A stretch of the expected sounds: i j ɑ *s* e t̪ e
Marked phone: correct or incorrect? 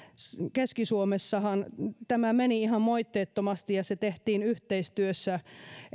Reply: correct